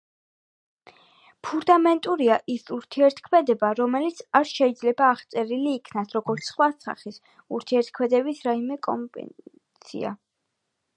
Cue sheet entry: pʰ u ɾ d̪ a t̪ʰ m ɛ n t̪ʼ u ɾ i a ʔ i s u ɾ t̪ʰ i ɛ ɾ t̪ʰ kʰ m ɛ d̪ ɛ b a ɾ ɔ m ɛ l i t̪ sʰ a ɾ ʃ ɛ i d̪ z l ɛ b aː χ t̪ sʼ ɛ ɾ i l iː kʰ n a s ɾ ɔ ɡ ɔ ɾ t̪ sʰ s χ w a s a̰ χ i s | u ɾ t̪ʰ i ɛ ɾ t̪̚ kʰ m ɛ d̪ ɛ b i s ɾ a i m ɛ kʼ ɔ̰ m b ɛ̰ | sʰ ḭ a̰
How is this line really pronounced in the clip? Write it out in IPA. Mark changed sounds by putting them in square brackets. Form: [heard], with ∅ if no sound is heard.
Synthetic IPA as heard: pʰ u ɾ d̪ a [∅] m ɛ n t̪ʼ u ɾ i a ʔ i s u ɾ t̪ʰ i ɛ ɾ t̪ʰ kʰ m ɛ d̪ ɛ b a ɾ ɔ m ɛ l i t̪ sʰ a ɾ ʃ ɛ i d̪ z l ɛ b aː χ t̪ sʼ ɛ ɾ i l iː kʰ n a s ɾ ɔ ɡ ɔ ɾ t̪ sʰ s χ w a s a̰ χ i s | u ɾ t̪ʰ i ɛ ɾ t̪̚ kʰ m ɛ d̪ ɛ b i s ɾ a i m ɛ kʼ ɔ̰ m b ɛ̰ | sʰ ḭ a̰